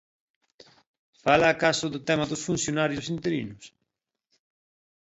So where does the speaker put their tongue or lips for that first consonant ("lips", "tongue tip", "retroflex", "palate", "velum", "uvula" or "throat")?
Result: lips